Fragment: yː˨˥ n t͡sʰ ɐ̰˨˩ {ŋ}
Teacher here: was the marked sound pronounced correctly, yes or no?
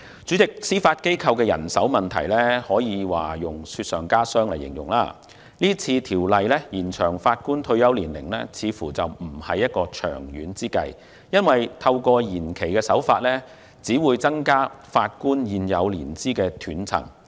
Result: yes